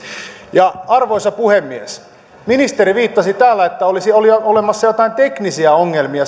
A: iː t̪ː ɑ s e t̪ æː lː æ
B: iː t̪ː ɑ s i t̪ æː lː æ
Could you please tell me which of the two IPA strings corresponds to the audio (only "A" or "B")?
B